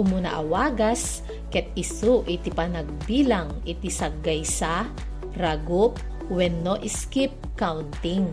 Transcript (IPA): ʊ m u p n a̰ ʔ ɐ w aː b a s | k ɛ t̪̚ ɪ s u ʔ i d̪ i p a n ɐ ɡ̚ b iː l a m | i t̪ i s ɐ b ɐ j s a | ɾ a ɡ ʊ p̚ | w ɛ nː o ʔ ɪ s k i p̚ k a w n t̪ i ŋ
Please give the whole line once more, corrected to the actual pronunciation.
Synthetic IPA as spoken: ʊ m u n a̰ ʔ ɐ w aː ɡ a s | k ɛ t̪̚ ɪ s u ʔ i t̪ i p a n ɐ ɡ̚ b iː l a ŋ | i t̪ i s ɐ ɡ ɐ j s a | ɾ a ɡ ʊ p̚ | w ɛ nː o ʔ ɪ s k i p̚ k a w n t̪ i ŋ